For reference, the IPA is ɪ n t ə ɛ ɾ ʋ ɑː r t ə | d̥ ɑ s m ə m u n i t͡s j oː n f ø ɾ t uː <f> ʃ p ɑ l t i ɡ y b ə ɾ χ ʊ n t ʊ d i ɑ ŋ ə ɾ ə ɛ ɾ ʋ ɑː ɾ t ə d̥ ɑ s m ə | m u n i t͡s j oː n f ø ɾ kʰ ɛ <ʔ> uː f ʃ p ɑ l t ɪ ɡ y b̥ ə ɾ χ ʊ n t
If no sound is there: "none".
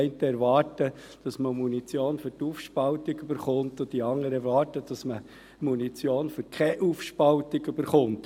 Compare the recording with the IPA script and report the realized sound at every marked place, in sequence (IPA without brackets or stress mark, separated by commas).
f, ʔ